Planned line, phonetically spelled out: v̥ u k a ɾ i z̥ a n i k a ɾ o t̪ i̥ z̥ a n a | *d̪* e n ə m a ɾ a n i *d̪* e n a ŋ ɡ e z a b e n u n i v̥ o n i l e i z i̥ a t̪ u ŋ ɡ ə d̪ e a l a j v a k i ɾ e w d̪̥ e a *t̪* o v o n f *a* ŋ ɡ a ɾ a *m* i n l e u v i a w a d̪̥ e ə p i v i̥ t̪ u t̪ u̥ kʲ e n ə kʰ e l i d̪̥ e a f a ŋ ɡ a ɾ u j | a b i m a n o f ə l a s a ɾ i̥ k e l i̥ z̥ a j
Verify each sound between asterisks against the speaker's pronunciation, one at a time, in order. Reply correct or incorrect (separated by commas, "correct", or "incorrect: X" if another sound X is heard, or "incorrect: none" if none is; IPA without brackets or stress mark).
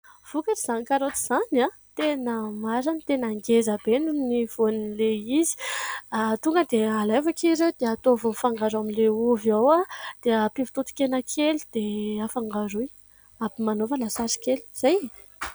incorrect: t̪, incorrect: t̪, correct, correct, correct